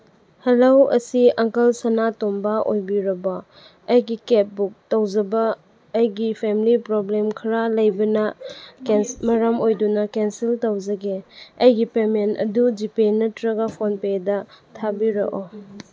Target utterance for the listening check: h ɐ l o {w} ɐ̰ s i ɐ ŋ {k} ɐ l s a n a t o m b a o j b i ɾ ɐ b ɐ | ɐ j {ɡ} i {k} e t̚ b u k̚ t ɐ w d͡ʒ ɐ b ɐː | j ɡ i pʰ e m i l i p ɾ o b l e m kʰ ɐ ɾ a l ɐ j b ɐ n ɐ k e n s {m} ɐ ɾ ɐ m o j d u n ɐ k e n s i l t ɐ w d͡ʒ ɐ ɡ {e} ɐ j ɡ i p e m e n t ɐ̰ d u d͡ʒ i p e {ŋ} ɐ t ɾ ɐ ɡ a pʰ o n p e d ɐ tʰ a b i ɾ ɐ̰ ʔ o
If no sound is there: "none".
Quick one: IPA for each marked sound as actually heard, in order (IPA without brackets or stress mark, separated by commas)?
w, k, ɡ, k, m, e, n